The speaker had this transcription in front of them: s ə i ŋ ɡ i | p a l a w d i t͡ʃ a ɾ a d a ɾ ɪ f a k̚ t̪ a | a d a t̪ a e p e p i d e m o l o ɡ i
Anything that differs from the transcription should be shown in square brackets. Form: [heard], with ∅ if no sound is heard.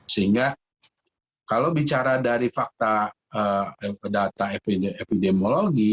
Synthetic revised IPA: s ə i ŋ ɡ [a] | [k] a l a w [b] i t͡ʃ a ɾ a d a ɾ [i] f a k̚ t̪ a | [ə] d a t̪ a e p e p i d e m o l o ɡ i